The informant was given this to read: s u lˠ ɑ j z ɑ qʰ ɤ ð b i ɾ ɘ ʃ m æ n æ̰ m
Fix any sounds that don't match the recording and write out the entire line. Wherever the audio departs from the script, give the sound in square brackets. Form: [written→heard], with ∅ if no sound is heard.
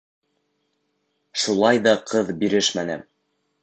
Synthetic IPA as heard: [s→ʃ] u lˠ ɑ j [z→ð] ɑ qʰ ɤ ð b i ɾ ɘ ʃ m æ n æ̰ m